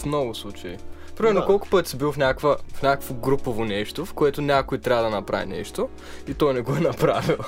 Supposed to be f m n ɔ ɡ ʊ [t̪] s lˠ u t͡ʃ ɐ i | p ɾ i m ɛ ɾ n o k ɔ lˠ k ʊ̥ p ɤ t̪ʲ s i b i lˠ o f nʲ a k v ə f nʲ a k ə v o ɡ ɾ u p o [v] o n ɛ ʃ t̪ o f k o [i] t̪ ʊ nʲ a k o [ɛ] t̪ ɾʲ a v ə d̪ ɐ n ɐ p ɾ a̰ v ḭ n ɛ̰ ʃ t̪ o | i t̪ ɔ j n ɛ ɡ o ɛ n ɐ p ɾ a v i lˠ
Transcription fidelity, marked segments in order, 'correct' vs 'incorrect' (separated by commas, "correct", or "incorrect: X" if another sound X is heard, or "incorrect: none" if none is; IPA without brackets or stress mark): incorrect: none, correct, incorrect: ɛ, incorrect: i